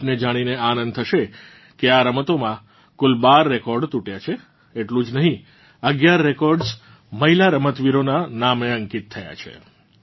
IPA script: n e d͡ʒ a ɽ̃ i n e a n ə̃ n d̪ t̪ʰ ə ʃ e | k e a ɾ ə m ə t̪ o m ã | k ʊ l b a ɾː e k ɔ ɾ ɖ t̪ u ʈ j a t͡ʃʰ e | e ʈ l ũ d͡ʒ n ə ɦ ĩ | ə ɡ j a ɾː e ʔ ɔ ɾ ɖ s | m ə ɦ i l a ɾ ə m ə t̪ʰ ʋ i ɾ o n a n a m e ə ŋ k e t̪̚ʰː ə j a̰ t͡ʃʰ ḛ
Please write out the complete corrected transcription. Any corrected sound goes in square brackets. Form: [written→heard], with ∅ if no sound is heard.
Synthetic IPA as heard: n e d͡ʒ a ɽ̃ i n e a n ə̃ n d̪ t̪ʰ ə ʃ e | k e a ɾ ə m ə t̪ o m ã | k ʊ l b a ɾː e k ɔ ɾ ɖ t̪ u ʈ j a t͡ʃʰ e | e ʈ l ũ d͡ʒ n ə ɦ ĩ | ə ɡ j a ɾː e [ʔ→k] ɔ ɾ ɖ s | m ə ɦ i l a ɾ ə m ə [t̪ʰ→t̪] ʋ i ɾ o n a n a m e ə ŋ k [e→i] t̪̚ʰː ə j a̰ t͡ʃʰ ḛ